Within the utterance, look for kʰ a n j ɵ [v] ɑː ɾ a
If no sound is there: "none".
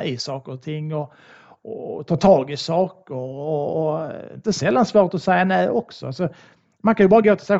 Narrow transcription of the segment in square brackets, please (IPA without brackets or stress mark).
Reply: b